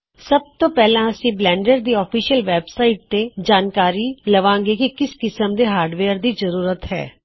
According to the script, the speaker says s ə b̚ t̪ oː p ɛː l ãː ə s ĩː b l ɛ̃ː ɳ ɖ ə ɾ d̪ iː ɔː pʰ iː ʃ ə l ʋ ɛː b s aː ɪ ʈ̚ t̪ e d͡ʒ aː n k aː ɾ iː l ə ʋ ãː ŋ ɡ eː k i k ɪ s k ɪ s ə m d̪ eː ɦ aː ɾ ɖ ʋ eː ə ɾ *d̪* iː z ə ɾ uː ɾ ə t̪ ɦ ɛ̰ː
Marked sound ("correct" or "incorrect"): correct